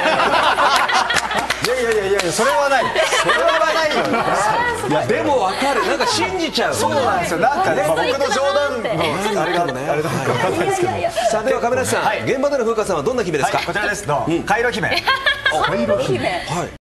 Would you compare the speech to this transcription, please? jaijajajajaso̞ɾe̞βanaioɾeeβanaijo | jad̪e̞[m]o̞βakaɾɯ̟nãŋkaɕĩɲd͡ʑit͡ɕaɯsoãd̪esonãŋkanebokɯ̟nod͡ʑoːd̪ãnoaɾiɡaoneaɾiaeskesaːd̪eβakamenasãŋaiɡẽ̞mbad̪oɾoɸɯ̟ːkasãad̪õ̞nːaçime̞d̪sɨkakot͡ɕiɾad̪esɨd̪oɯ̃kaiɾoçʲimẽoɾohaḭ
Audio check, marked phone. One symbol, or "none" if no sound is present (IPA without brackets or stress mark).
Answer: m